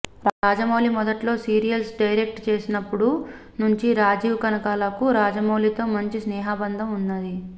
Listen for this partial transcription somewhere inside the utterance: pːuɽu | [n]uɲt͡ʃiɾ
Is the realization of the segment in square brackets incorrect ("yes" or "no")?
no